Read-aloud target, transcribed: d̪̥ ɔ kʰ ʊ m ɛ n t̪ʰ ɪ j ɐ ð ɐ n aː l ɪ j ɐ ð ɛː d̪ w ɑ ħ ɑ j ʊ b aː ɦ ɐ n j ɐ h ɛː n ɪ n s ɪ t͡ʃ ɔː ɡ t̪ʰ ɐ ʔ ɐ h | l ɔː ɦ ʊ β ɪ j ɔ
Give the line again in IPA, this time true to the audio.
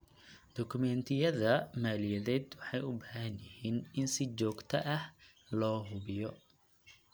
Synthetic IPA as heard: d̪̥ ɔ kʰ ʊ m ɛ n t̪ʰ ɪ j ɐ ð ɐ m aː l ɪ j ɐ ð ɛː d̪ w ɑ ħ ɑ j ʊ b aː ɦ ɐ n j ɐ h iː n ɪ n s ɪ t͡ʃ ɔː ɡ t̪ʰ ɐ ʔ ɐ h | l ɔː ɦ ʊ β ɪ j ɔ

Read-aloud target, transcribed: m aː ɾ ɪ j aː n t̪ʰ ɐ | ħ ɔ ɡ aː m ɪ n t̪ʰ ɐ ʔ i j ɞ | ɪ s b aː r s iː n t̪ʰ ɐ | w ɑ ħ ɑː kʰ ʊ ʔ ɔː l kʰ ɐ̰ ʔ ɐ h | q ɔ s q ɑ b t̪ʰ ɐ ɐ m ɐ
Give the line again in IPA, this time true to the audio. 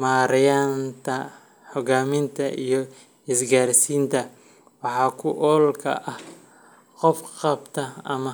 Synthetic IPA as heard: m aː ɾ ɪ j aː n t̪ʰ ɐ | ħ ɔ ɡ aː m ɪ n t̪ʰ ɐ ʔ i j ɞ | ɪ s ɡ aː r s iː n t̪ʰ ɐ | w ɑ ħ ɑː kʰ ʊ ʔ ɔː l kʰ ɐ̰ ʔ ɐ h | q ɔ f q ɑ b t̪ʰ ɐ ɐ m ɐ

